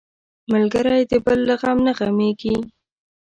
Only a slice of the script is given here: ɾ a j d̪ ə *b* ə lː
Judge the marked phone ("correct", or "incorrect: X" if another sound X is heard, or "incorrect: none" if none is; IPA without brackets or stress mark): correct